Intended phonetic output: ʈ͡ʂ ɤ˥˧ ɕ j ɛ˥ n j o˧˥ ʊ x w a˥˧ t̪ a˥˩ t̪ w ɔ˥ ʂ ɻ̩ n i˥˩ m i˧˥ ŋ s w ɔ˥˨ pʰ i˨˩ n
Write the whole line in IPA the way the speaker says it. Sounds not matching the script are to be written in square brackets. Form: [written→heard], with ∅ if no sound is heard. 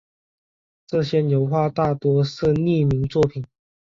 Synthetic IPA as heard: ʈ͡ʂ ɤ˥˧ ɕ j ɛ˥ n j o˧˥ ʊ x w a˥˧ t̪ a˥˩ t̪ w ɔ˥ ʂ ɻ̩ n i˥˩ m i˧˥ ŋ [s→t͡s] w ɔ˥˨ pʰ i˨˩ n

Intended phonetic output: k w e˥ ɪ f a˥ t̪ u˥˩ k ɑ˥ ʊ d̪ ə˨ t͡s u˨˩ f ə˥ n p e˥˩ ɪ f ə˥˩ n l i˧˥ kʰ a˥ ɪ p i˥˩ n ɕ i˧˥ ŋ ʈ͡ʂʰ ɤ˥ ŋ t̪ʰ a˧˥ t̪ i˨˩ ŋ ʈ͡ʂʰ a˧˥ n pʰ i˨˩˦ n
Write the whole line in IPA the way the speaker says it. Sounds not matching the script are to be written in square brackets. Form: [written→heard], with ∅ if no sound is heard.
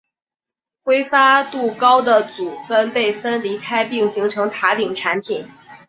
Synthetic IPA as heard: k w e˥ ɪ f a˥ t̪ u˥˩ k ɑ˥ ʊ d̪ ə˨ t͡s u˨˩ f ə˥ n p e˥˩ ɪ f [ə˥˩→ə˥] n l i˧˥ kʰ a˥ ɪ p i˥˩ [n→ŋ] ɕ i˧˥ ŋ ʈ͡ʂʰ [ɤ˥→ɤ˧˥] ŋ t̪ʰ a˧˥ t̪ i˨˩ ŋ ʈ͡ʂʰ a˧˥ n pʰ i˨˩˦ n

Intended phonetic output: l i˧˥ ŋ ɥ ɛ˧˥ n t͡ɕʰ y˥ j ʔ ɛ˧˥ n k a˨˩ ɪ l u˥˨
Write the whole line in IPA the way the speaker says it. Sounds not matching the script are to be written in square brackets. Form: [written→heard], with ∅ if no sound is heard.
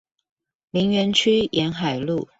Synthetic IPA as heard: l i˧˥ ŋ ɥ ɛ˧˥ n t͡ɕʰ y˥ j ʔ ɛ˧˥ n [k→x] a˨˩ ɪ l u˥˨

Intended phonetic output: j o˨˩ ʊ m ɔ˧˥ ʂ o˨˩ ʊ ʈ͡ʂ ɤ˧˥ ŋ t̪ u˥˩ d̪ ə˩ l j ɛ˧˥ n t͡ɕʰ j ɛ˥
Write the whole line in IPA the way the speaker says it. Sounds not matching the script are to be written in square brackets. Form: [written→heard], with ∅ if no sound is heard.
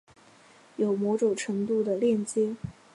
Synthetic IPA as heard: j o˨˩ ʊ m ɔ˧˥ [ʂ→ʈ͡ʂ] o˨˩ ʊ [ʈ͡ʂ→ʈ͡ʂʰ] ɤ˧˥ ŋ t̪ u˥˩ d̪ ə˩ l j [ɛ˧˥→ɛ˥˩] n [t͡ɕʰ→t͡ɕ] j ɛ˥

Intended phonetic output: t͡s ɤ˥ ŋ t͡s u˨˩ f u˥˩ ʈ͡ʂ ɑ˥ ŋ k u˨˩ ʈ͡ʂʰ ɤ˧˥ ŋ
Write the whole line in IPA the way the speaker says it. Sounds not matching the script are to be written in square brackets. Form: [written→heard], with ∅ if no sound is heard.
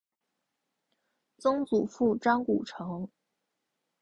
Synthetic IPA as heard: t͡s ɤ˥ ŋ t͡s u˨˩ f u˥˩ ʈ͡ʂ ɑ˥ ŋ k u˨˩ ʈ͡ʂʰ ɤ˧˥ ŋ

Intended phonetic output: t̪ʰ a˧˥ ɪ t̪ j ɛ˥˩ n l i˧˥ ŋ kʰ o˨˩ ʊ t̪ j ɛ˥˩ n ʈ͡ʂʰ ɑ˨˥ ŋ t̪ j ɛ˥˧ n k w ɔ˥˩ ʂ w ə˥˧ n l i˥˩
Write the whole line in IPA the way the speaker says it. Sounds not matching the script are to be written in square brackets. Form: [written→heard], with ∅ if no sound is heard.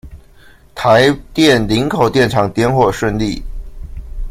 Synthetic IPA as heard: t̪ʰ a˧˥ ɪ t̪ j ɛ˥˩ n l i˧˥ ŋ kʰ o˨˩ ʊ t̪ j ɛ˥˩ n ʈ͡ʂʰ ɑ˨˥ ŋ t̪ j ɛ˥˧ n [k→x] w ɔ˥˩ ʂ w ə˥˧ n l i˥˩

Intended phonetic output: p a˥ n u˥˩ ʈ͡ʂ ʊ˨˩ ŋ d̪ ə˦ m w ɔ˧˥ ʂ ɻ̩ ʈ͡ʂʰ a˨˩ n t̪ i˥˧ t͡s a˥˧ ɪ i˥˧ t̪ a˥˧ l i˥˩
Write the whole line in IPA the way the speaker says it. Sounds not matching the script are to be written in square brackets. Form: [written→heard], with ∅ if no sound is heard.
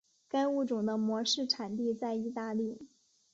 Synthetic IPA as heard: [p→k] a˥ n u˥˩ ʈ͡ʂ ʊ˨˩ ŋ d̪ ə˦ m w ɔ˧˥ ʂ ɻ̩ ʈ͡ʂʰ a˨˩ n t̪ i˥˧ t͡s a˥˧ ɪ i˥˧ t̪ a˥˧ l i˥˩

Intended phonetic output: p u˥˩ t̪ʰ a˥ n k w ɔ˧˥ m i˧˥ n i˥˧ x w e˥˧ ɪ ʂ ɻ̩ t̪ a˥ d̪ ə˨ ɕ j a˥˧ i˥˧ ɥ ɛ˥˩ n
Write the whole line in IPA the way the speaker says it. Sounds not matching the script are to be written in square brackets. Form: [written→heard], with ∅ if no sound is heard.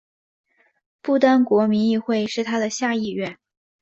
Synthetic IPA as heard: p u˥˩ [t̪ʰ→t̪] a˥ n k w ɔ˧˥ m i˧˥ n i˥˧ x w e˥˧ ɪ ʂ ɻ̩ [t̪→t̪ʰ] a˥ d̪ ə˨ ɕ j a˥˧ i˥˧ ɥ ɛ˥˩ n

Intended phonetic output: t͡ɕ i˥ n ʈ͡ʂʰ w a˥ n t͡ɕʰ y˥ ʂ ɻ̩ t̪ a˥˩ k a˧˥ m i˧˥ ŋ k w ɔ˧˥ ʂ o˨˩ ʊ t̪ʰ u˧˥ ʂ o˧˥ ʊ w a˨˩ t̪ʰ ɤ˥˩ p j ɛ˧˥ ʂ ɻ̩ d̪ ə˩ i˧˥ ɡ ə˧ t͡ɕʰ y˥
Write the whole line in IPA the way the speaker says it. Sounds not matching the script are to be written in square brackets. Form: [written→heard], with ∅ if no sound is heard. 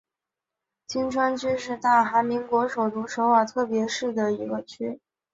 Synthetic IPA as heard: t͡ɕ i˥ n ʈ͡ʂʰ w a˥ n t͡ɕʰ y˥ ʂ ɻ̩ t̪ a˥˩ [k→x] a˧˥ m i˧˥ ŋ k w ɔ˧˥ ʂ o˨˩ ʊ [t̪ʰ→t̪] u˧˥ ʂ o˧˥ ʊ w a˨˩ t̪ʰ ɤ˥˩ p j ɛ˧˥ ʂ ɻ̩ d̪ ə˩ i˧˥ ɡ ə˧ t͡ɕʰ y˥

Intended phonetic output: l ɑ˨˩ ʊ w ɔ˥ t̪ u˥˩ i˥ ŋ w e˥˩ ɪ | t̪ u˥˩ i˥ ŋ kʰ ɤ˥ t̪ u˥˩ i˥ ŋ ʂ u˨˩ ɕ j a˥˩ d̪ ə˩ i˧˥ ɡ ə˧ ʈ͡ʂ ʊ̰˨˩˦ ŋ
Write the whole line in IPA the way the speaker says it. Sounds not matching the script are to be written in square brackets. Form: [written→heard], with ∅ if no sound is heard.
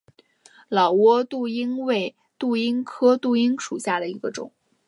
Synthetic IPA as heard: l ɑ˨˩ ʊ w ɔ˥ t̪ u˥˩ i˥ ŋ w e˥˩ ɪ | t̪ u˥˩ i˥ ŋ kʰ ɤ˥ t̪ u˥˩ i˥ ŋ ʂ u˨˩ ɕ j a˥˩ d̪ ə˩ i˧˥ ɡ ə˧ ʈ͡ʂ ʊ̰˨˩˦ ŋ

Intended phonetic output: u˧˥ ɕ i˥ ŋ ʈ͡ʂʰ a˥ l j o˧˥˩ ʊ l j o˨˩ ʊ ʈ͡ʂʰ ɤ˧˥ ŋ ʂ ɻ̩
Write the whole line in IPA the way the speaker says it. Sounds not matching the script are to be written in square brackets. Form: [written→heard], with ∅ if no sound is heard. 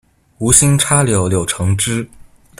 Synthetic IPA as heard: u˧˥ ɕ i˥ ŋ ʈ͡ʂʰ a˥ l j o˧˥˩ ʊ l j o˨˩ ʊ ʈ͡ʂʰ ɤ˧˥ ŋ [ʂ→ʈ͡ʂ] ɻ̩

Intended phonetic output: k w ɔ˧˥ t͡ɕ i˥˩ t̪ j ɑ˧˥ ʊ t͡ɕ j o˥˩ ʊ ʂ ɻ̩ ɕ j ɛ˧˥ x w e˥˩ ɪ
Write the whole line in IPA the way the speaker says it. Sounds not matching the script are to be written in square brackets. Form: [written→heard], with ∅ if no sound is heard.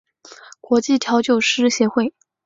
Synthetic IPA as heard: k w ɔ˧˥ t͡ɕ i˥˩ [t̪→t̪ʰ] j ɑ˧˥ ʊ t͡ɕ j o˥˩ ʊ ʂ ɻ̩ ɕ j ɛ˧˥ x w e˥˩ ɪ

